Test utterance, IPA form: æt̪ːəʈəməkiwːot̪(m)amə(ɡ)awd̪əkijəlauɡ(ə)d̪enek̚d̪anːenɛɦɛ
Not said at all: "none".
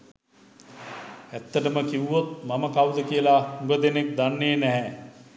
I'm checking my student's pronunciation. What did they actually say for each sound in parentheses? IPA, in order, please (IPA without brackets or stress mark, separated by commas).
m, k, ə